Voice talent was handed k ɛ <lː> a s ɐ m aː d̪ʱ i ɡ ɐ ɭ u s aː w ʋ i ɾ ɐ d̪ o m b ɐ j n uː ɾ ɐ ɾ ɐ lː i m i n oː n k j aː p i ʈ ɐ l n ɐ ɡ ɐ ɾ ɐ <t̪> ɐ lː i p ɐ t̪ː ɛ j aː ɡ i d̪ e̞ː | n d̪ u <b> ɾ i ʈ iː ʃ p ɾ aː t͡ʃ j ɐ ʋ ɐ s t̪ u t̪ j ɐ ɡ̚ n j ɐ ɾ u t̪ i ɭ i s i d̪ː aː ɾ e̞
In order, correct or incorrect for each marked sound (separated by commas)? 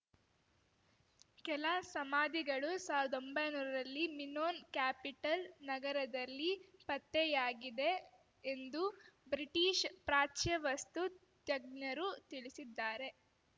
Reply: incorrect, incorrect, correct